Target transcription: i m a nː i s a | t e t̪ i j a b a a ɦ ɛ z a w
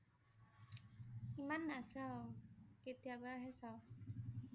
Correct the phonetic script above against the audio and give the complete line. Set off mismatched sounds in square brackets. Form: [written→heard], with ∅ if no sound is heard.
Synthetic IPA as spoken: i m a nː [i→a] s a | [t→k] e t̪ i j a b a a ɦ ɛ [z→s] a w

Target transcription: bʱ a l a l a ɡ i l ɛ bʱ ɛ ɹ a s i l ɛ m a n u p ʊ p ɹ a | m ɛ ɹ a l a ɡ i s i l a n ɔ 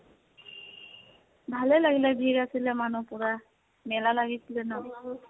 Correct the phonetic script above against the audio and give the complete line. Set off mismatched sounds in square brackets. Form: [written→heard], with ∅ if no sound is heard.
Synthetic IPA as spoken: bʱ a l [a→ɛ] l a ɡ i l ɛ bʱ [ɛ→i] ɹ a s i l ɛ m a n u p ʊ [p→∅] ɹ a | m ɛ [ɹ→l] a l a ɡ i s i l [a→ɛ] n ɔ

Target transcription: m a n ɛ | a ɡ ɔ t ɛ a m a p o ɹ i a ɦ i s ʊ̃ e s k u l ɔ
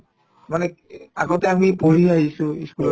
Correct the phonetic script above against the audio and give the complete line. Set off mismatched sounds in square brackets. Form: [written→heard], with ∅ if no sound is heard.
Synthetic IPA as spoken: m a n ɛ | a ɡ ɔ t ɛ a m [a→i] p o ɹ i a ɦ i s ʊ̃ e s k u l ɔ

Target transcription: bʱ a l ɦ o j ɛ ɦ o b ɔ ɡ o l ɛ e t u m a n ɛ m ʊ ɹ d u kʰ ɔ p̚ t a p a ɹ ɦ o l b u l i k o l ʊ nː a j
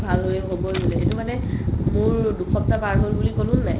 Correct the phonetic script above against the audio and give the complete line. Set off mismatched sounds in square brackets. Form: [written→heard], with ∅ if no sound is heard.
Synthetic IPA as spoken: bʱ a l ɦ o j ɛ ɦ o b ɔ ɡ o l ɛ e t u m a n ɛ m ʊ ɹ d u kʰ ɔ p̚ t a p a ɹ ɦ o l b u l i k o l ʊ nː a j

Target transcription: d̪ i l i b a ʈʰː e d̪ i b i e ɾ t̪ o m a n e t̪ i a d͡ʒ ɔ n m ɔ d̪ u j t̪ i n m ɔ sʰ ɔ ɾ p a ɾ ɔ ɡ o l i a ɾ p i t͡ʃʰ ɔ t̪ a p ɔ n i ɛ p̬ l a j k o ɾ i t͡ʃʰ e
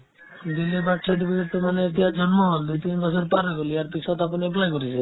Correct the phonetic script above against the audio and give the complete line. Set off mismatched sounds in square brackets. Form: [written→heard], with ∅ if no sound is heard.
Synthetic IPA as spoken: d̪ i l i b a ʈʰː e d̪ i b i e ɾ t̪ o m a n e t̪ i a d͡ʒ ɔ n m ɔ d̪ u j t̪ i n [m→b] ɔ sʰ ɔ ɾ p a ɾ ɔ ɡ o l i a ɾ p i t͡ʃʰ ɔ t̪ a p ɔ n i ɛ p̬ l a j k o ɾ i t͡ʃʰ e

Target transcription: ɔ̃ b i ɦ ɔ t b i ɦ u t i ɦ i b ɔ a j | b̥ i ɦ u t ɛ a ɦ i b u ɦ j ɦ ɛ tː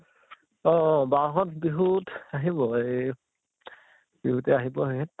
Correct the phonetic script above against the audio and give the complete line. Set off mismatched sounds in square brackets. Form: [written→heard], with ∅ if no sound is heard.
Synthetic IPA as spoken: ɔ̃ b [i→a] ɦ ɔ t b i ɦ u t [i→a] ɦ i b ɔ [a→e] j | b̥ i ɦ u t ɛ a ɦ i b [u→ɔ] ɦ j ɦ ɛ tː

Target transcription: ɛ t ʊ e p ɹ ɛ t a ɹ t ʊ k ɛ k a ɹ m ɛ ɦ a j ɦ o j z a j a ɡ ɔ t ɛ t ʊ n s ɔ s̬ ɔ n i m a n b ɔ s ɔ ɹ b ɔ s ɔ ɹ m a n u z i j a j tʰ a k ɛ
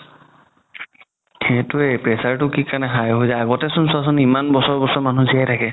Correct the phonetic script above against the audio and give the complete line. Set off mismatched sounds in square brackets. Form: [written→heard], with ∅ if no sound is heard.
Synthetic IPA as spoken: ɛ t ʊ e p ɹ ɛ [t→s] a ɹ t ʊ k [ɛ→i] k a ɹ [m→n] ɛ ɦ a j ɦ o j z a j a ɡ ɔ t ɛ [t→s] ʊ n s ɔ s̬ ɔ n i m a n b ɔ s ɔ ɹ b ɔ s ɔ ɹ m a n u z i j a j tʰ a k ɛ

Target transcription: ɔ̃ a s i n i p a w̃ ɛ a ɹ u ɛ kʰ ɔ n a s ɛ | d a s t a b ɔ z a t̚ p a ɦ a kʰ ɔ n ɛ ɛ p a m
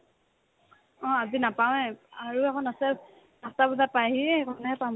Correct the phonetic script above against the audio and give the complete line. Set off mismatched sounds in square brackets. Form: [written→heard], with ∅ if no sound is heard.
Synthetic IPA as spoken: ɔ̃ a [s→z] i n [i→a] p a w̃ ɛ a ɹ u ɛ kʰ ɔ n a s ɛ | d a s t a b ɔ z a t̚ p a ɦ [a→i] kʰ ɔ n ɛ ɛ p a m

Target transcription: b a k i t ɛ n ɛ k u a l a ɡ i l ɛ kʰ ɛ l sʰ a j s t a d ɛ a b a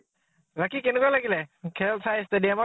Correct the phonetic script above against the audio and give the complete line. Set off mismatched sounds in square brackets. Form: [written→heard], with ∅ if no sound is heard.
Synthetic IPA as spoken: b a k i [t→k] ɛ n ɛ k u a l a ɡ i l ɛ kʰ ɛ l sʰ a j s t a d [ɛ→i] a [b→m] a

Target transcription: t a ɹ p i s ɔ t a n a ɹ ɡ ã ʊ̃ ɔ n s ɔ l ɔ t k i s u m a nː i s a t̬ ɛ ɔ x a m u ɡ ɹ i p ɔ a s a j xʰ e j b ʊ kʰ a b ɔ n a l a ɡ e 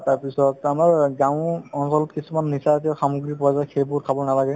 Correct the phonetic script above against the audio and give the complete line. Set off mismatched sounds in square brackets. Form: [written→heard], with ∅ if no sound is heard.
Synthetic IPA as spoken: t a ɹ p i s ɔ t a [n→m] a ɹ ɡ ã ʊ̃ ɔ n s ɔ l ɔ t k i s u m a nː i s a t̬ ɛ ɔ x a m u ɡ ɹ i p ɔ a [s→z] a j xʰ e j b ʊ kʰ a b ɔ n a l a ɡ [e→ɛ]

